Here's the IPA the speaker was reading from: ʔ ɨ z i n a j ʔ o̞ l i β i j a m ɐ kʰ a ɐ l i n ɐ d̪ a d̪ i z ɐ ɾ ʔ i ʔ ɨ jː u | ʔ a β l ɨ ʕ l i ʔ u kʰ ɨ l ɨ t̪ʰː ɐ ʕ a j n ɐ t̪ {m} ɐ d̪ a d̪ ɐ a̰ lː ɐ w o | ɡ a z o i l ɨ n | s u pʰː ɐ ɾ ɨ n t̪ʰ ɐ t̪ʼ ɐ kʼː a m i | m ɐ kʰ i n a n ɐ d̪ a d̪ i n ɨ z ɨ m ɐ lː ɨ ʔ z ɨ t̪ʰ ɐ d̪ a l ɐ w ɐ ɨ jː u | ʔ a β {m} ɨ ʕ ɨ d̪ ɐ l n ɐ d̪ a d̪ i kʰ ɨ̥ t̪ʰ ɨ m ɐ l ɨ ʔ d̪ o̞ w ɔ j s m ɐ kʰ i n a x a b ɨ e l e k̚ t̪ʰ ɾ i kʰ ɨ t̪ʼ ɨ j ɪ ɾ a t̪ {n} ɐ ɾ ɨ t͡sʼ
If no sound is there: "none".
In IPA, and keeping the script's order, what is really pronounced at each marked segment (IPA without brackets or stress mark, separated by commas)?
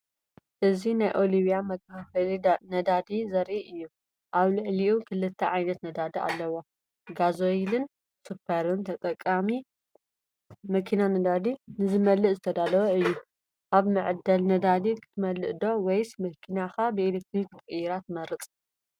n, m, m